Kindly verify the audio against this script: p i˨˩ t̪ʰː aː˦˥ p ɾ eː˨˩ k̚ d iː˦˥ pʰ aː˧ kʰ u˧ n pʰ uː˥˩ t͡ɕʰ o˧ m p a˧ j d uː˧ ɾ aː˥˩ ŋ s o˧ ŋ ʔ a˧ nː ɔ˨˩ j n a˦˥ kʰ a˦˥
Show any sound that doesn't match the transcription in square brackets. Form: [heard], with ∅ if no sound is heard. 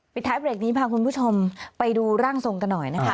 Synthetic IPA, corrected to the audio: p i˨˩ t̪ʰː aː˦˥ p ɾ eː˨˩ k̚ [n] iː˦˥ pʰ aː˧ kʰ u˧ n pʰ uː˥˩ t͡ɕʰ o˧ m p a˧ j d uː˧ ɾ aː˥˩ ŋ s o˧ ŋ [k] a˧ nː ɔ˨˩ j n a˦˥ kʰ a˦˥